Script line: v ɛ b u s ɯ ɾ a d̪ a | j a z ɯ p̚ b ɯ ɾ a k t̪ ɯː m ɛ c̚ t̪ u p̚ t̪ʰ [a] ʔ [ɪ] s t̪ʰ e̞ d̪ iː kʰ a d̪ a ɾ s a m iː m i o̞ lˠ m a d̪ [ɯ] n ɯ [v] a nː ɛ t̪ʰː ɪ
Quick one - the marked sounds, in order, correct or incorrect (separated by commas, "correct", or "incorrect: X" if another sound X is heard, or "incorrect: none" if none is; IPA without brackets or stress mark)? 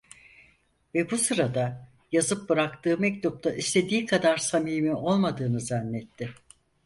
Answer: correct, incorrect: i, incorrect: ɯː, incorrect: z